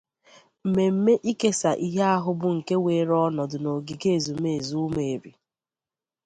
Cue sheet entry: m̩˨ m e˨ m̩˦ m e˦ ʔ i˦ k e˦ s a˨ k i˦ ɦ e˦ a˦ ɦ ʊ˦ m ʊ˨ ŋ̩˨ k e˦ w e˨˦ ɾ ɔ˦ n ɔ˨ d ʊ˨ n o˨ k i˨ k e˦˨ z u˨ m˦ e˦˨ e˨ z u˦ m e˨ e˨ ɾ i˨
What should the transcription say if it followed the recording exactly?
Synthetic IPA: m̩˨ m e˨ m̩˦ m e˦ ʔ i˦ k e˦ s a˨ ʔ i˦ ɦ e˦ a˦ ɦ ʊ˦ b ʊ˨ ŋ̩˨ k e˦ w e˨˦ ɾ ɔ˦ n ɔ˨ d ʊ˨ n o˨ ɡ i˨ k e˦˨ z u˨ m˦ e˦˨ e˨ z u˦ m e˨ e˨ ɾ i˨